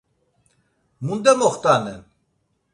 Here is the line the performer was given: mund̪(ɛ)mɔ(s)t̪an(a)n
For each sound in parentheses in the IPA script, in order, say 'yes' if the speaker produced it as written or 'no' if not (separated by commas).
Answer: yes, no, no